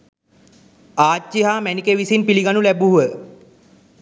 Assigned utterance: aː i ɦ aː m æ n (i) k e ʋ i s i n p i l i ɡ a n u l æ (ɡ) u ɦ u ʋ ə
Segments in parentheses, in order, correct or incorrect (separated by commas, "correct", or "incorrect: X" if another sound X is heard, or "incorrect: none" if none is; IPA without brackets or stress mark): correct, incorrect: b